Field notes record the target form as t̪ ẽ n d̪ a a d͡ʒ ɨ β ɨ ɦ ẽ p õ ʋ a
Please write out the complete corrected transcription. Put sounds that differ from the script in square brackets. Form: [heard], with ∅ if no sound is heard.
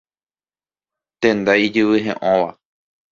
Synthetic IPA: t̪ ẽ n d̪ a [i] d͡ʒ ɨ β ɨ ɦ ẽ [ʔ] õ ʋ a